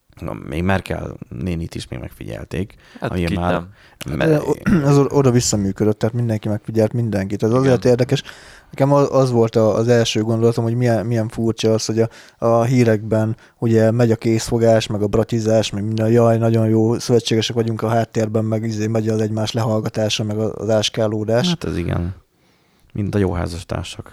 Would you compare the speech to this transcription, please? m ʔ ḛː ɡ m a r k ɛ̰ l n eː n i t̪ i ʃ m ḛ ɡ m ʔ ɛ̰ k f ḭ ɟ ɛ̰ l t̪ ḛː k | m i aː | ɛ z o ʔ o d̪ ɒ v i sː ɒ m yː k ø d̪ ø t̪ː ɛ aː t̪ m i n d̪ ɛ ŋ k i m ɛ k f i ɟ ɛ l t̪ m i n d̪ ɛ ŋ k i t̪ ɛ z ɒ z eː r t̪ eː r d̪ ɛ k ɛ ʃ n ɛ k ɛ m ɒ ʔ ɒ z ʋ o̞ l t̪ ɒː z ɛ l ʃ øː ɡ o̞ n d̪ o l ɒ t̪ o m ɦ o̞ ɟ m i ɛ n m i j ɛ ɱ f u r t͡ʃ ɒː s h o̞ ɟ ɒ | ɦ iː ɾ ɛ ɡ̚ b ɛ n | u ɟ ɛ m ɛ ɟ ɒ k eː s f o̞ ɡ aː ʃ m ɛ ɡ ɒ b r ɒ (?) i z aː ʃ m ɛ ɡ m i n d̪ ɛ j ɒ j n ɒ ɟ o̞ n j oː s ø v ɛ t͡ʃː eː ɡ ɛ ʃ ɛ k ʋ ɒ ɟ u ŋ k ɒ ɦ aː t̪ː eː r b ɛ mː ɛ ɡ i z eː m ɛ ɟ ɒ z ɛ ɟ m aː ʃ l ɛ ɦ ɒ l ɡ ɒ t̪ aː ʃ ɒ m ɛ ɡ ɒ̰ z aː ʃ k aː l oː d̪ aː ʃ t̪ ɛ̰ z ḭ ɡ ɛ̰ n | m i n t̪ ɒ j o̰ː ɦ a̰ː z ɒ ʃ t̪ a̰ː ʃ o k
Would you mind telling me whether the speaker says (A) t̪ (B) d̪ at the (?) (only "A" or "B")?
A